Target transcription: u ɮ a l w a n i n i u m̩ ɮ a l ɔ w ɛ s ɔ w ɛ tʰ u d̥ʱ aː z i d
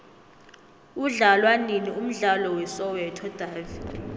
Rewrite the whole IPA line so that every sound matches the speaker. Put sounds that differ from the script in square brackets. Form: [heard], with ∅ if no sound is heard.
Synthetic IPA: u ɮ a l w a n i n i u m̩ ɮ a l ɔ w ɛ s ɔ w ɛ tʰ [ɔ] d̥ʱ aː [v] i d